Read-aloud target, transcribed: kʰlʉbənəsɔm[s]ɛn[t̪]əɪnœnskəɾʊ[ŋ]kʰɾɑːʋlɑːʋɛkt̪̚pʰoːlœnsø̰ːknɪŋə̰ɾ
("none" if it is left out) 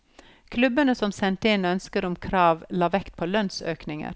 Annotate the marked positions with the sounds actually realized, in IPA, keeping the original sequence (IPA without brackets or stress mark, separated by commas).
s, t̪, m